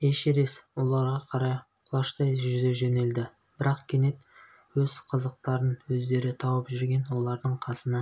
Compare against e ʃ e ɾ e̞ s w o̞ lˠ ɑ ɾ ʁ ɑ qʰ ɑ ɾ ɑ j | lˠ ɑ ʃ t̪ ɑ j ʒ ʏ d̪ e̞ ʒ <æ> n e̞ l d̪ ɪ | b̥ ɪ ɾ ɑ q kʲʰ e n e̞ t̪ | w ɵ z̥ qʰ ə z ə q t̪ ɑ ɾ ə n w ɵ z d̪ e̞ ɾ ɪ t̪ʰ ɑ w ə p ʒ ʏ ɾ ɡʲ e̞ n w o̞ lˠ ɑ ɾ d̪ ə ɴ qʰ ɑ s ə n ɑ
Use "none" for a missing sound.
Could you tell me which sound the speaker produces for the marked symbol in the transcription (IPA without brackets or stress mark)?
e